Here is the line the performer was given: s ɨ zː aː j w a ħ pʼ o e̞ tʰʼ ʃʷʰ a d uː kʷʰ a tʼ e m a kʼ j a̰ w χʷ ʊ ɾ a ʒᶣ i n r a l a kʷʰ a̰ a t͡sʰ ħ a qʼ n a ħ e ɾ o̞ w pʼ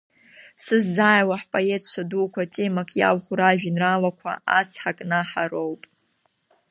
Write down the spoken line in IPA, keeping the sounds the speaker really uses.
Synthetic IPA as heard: s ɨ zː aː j w a ħ pʼ o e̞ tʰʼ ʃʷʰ a d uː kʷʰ a tʼ e m a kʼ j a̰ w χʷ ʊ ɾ a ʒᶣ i n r a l a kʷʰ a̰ a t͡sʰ ħ a kʼ n a ħ a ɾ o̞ w pʼ